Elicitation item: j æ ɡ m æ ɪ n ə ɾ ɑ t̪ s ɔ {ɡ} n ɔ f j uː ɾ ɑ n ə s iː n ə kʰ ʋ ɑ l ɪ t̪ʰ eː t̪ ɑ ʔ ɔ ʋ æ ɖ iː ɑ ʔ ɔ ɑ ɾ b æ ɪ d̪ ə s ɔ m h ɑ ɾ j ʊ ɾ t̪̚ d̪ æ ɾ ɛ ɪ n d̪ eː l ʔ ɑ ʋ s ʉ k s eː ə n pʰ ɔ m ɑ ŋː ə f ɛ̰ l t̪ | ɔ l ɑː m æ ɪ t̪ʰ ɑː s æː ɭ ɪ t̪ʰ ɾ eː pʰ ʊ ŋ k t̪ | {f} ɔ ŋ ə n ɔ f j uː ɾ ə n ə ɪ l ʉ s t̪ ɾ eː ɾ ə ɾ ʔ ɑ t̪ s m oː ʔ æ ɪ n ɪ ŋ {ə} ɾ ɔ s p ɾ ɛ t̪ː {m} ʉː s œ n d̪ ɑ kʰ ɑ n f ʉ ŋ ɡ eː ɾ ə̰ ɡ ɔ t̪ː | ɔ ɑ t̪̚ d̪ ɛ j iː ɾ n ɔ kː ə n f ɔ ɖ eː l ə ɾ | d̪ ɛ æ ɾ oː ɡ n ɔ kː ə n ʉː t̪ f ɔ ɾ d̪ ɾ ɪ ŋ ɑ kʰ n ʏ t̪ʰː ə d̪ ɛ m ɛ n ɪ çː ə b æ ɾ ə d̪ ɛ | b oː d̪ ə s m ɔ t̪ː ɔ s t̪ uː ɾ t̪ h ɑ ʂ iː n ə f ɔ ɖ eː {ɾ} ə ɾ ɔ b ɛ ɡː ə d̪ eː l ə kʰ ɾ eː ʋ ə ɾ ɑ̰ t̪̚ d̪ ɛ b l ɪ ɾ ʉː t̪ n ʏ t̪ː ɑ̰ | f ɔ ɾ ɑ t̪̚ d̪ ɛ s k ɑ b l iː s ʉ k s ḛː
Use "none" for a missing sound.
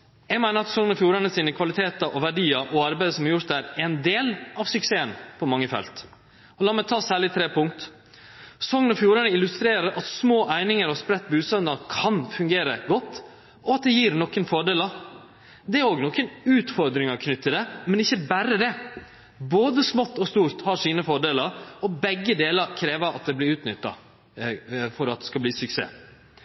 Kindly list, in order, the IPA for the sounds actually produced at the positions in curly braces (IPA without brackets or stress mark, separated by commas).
ŋ, s, ə, b, l